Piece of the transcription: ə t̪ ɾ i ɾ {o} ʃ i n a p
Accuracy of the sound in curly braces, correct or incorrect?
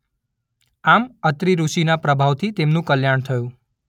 incorrect